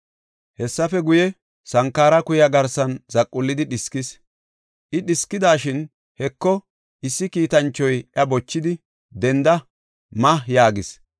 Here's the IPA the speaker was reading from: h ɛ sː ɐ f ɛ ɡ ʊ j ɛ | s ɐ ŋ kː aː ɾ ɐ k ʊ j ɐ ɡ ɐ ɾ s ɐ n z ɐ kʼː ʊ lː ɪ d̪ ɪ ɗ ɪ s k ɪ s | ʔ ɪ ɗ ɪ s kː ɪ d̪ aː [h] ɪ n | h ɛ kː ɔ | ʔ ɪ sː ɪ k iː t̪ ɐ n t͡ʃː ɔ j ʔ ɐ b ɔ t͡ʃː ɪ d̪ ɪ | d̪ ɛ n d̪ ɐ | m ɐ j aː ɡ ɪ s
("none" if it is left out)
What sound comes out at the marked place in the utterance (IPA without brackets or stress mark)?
ʃ